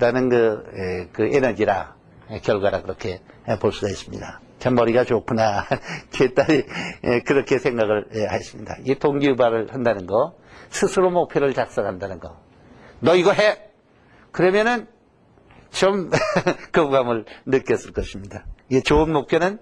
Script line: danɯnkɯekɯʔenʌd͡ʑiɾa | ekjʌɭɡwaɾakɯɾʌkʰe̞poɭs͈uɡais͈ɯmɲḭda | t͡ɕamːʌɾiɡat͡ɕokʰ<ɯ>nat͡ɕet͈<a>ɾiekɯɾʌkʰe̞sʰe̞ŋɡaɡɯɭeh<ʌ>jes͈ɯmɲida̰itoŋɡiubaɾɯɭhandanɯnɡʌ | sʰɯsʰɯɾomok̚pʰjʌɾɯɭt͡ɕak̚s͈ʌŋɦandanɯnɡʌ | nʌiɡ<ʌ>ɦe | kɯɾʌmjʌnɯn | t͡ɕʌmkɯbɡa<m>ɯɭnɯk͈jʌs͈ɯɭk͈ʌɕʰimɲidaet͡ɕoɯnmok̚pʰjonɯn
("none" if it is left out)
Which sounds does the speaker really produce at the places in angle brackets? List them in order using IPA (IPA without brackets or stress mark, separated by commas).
u, a, a, ʌ, m